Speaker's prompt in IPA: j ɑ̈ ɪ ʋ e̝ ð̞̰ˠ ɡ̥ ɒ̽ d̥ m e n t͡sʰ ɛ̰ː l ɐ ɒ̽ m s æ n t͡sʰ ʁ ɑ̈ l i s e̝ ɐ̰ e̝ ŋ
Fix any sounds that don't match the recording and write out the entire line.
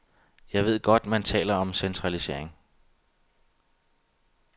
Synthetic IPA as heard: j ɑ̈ ɪ ʋ e̝ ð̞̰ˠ ɡ̥ ɒ̽ d̥ m æ n t͡sʰ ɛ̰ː l ɐ ɒ̽ m s e n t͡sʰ ʁ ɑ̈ l i s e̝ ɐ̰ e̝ ŋ